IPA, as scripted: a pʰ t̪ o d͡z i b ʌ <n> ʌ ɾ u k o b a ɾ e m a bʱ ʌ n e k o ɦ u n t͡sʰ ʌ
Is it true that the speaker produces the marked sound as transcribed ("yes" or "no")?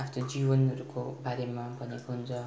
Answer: yes